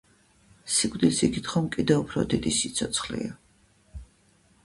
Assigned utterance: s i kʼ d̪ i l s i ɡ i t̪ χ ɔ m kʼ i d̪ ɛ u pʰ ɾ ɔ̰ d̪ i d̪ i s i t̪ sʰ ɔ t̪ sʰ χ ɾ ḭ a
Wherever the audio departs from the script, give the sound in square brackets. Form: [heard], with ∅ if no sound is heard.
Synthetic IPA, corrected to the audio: s i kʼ d̪ i l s i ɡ i t̪ χ ɔ m kʼ i d̪ ɛ u pʰ ɾ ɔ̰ d̪ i d̪ i s i t̪ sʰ ɔ t̪ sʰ χ [l] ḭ a